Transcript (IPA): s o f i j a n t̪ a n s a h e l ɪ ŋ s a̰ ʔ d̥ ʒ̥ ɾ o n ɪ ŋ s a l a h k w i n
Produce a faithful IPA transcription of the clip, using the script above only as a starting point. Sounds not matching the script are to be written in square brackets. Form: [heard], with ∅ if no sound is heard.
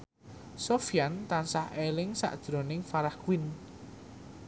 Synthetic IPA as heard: s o f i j a n t̪ a n s a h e l ɪ ŋ s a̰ ʔ d̥ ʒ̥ ɾ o n ɪ ŋ [f] a [ɾ] a h k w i n